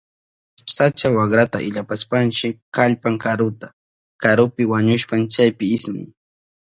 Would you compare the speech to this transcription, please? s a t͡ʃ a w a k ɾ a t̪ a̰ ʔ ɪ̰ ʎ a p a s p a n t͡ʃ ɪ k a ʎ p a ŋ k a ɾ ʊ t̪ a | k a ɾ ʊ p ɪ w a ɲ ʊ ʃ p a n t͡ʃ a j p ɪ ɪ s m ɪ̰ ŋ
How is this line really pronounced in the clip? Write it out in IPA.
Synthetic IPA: s a t͡ʃ a w a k ɾ a t̪ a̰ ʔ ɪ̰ ʎ a p a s p a n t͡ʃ ɪ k a ʎ p a ŋ k a ɾ ʊ t̪ a | k a ɾ ʊ p ɪ w a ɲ ʊ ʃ p a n t͡ʃ a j p ɪ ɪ s m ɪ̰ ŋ